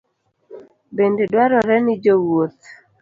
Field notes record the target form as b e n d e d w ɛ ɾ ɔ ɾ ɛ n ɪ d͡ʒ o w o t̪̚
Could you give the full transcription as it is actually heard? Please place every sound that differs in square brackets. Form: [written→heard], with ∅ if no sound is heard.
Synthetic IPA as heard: b e n d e d w [ɛ→a] ɾ ɔ ɾ ɛ n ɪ d͡ʒ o w o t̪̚